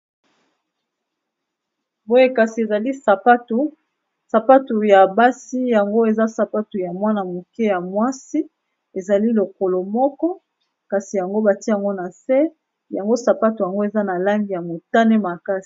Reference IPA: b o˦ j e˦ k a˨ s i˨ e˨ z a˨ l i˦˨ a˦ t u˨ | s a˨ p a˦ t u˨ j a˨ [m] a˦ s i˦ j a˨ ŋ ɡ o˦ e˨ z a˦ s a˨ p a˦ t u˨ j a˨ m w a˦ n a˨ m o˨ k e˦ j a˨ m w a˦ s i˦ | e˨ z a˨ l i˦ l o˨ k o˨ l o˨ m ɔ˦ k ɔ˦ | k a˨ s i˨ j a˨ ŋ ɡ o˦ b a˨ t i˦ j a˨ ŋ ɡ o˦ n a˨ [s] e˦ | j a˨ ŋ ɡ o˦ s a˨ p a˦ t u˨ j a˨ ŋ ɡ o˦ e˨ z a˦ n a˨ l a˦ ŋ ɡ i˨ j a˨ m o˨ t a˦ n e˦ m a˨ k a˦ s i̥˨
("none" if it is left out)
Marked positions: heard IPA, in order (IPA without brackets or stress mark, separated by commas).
b, s